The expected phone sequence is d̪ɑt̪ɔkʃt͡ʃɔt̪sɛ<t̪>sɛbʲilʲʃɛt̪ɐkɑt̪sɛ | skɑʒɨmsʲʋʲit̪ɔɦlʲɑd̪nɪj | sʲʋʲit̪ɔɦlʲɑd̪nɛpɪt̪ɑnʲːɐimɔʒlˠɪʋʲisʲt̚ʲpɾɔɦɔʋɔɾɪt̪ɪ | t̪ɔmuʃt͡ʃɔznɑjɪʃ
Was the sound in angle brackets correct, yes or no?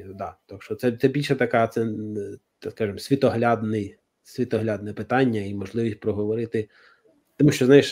yes